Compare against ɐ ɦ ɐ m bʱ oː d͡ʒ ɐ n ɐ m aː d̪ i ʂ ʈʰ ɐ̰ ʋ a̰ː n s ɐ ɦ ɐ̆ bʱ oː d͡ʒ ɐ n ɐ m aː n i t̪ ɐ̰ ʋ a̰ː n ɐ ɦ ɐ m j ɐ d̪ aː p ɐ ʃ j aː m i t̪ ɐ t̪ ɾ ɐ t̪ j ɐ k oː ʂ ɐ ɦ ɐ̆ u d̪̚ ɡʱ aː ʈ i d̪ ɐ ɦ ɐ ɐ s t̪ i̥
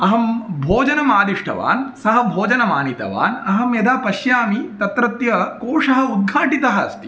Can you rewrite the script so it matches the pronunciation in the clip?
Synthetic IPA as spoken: ɐ ɦ ɐ m bʱ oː d͡ʒ ɐ n ɐ m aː d̪ i ʂ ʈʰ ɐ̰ ʋ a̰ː n s ɐ ɦ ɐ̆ bʱ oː d͡ʒ ɐ n ɐ m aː n i t̪ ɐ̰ ʋ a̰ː n ɐ ɦ ɐ m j ɐ d̪ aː p ɐ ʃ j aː m i t̪ ɐ t̪ ɾ ɐ t̪ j ɐ k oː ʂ ɐ ɦ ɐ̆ u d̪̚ ɡʱ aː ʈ i t̪ ɐ ɦ ɐ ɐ s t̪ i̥